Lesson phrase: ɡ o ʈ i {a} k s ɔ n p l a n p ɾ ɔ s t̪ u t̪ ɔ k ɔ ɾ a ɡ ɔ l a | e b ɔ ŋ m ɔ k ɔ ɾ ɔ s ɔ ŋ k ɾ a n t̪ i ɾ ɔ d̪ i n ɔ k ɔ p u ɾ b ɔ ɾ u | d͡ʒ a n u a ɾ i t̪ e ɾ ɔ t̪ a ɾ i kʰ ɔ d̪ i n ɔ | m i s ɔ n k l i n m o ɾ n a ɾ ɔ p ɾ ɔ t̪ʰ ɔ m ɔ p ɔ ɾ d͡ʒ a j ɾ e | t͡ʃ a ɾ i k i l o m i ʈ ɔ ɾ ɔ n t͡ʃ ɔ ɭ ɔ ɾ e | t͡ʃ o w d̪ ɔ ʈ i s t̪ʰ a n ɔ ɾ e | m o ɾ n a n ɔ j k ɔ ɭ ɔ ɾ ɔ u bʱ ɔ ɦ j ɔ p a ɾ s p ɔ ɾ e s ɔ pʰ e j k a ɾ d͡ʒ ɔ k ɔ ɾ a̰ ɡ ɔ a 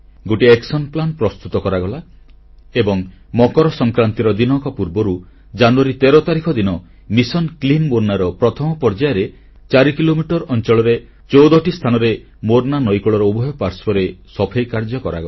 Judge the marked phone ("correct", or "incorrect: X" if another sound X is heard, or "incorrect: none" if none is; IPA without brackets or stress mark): incorrect: e